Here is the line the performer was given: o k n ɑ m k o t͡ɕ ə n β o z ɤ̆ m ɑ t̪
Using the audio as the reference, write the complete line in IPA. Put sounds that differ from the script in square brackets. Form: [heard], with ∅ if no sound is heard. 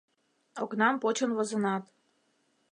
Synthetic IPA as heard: o k n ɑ m [p] o t͡ɕ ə n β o z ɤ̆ [n] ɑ t̪